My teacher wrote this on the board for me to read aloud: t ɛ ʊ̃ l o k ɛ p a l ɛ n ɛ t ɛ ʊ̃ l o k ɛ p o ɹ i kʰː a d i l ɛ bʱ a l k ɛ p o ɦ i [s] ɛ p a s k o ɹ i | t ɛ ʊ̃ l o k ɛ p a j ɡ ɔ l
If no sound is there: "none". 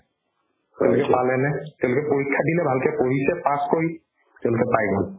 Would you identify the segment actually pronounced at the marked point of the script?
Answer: s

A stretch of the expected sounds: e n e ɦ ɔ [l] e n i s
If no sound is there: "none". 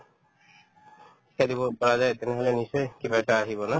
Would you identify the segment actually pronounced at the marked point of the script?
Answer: l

